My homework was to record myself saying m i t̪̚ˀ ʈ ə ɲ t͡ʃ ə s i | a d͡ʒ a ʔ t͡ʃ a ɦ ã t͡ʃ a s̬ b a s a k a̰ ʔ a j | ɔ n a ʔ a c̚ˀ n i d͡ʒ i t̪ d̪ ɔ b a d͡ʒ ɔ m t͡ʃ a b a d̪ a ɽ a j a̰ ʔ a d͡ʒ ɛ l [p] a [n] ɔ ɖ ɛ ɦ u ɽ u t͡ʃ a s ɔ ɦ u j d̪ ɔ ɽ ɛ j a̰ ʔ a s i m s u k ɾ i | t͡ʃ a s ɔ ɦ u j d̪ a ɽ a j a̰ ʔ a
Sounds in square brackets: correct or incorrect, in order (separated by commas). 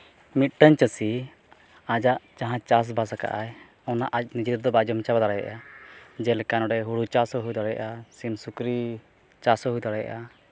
incorrect, correct